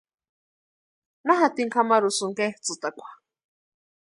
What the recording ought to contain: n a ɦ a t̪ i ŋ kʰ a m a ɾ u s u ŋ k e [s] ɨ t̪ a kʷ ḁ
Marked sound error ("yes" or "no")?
yes